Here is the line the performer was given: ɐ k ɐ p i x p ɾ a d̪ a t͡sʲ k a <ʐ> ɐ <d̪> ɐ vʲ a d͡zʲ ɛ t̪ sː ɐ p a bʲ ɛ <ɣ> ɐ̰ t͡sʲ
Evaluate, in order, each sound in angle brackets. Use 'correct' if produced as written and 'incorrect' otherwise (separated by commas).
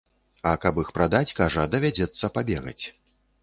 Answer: correct, correct, correct